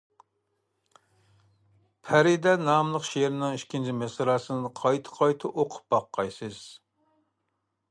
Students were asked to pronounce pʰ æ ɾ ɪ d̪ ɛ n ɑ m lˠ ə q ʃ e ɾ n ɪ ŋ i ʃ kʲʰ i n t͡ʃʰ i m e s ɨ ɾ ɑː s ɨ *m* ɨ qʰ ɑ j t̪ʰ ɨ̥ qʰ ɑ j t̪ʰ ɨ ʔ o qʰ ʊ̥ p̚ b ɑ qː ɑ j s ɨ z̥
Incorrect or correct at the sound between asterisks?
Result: incorrect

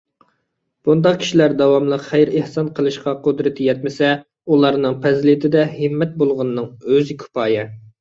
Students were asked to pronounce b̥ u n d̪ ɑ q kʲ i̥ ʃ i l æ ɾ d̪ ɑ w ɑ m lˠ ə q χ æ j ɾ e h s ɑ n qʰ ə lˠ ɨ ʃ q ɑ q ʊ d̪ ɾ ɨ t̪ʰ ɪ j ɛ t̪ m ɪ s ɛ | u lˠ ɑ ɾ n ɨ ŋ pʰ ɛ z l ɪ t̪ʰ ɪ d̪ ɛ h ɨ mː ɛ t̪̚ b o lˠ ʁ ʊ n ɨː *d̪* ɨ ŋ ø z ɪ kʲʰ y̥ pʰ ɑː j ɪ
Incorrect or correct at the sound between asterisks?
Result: incorrect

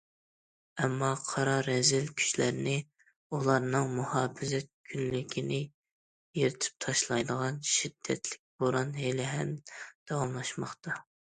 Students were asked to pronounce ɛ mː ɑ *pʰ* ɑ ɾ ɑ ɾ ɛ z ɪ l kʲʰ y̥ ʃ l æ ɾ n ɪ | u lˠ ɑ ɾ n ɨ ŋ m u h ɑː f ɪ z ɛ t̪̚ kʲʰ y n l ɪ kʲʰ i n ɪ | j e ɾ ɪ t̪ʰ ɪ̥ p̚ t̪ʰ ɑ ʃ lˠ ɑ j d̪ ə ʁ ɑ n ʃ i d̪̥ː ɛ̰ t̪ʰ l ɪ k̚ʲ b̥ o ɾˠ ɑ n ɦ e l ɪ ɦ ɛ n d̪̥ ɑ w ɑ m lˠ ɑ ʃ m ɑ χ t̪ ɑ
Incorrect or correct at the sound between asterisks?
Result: incorrect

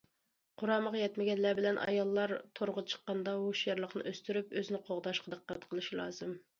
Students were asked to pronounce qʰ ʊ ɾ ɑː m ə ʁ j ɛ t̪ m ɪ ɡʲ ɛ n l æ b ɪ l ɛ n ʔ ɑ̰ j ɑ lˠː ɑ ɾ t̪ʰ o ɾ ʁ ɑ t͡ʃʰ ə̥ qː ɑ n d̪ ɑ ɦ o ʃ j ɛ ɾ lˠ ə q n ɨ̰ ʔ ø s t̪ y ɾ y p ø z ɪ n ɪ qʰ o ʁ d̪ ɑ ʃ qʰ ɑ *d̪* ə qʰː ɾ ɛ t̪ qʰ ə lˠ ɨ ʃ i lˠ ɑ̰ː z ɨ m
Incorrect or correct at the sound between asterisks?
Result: correct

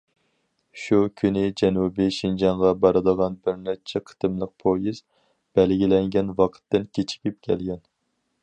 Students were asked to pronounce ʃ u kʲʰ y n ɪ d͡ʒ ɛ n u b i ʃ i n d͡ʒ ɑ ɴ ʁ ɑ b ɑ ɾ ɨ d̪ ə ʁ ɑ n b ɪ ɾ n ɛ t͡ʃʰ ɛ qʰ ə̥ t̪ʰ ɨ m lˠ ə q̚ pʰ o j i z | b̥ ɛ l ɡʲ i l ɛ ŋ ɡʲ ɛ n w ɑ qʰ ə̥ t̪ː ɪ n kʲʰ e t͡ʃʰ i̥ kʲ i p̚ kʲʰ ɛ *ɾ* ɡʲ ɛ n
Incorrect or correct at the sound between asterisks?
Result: incorrect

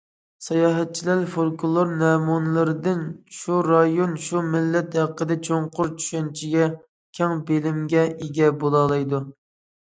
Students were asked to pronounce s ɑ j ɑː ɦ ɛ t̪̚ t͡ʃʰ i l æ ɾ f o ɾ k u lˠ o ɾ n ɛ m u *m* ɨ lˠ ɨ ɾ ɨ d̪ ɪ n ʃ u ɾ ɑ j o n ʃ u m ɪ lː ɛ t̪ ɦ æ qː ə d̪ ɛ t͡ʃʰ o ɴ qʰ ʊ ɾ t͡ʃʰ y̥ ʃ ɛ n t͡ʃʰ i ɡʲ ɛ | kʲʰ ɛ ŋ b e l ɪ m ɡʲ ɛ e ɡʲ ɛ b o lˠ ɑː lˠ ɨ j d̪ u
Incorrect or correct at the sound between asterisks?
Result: incorrect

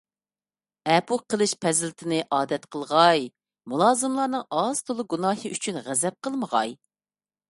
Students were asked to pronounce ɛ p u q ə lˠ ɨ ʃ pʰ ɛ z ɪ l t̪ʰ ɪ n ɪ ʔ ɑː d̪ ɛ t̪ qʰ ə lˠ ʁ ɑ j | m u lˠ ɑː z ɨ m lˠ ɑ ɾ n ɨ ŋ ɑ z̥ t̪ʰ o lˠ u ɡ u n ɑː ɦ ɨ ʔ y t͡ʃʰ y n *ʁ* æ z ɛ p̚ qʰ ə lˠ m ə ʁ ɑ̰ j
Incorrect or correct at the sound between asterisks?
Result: correct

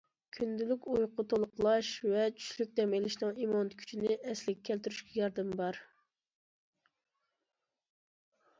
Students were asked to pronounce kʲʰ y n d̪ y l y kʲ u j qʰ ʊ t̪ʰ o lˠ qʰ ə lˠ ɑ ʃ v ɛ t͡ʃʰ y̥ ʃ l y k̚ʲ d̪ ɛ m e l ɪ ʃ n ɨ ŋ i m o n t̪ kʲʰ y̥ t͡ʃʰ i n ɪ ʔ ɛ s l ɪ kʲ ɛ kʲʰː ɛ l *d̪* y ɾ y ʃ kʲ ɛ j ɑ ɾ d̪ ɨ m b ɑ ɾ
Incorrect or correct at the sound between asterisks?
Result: incorrect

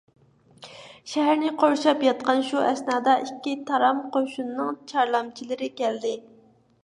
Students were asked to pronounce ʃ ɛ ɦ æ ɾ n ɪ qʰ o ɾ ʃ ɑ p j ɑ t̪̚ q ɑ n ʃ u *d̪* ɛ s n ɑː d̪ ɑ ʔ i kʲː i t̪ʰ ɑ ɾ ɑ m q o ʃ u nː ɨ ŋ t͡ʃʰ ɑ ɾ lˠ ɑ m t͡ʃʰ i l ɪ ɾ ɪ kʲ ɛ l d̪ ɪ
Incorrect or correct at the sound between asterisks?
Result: incorrect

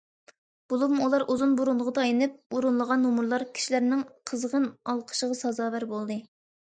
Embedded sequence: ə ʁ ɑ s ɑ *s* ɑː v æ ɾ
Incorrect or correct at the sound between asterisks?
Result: incorrect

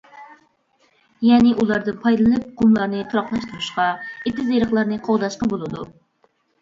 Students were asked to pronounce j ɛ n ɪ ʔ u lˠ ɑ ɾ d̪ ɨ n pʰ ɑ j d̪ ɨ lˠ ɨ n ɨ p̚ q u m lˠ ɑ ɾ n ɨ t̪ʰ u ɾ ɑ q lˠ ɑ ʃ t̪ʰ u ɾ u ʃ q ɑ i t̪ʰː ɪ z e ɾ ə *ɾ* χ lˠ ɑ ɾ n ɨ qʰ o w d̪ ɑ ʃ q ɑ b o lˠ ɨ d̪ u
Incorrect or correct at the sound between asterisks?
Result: incorrect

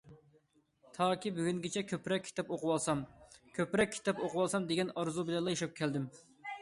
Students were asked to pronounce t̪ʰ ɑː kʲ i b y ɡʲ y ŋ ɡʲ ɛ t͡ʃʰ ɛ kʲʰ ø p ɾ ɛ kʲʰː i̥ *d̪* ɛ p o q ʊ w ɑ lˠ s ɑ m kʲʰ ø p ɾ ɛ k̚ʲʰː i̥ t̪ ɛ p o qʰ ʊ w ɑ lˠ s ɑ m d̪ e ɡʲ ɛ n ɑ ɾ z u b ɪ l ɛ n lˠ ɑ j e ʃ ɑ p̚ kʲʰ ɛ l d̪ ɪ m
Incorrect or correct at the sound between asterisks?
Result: incorrect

